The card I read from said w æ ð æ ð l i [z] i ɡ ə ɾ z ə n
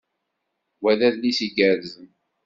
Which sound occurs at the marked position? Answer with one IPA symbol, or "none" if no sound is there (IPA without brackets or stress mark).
s